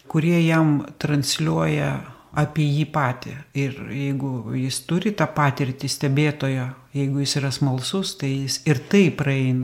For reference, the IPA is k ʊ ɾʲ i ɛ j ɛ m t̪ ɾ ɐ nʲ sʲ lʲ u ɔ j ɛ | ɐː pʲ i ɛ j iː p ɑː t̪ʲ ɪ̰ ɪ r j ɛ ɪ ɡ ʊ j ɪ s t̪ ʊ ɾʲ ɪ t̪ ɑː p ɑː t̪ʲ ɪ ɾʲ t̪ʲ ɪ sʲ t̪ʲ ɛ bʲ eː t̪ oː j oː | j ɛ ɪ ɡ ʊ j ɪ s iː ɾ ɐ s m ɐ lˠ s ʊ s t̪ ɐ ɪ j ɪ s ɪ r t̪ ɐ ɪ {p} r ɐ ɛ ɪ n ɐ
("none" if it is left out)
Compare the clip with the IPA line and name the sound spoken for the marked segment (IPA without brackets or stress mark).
p